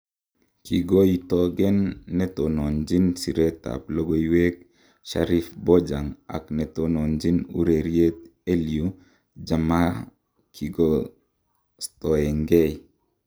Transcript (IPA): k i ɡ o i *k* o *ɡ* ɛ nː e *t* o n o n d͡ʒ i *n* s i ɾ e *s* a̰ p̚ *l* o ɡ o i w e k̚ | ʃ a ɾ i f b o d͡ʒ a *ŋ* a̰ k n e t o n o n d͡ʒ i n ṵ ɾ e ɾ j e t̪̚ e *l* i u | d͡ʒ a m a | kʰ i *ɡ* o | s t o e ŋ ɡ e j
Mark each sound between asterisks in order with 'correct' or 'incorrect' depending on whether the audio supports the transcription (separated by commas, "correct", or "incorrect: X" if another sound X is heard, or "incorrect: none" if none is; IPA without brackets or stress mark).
incorrect: t, correct, correct, correct, incorrect: t, correct, correct, correct, correct